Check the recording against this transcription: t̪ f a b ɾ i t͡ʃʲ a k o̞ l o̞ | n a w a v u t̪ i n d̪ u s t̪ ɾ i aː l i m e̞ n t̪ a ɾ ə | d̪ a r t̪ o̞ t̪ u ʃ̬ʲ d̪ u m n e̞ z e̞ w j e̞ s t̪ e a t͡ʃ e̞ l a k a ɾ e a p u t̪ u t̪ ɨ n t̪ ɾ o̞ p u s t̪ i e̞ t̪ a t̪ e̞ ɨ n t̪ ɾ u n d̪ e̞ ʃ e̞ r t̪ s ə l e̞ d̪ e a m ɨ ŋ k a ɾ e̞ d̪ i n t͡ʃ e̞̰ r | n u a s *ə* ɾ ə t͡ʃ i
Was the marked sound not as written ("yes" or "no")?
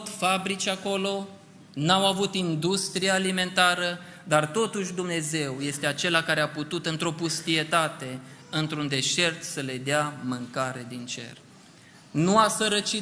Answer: no